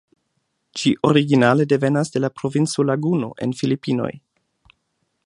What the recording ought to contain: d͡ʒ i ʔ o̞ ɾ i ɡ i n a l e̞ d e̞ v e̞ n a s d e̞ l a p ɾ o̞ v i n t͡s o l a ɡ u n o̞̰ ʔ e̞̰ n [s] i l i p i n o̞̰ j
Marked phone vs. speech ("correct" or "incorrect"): incorrect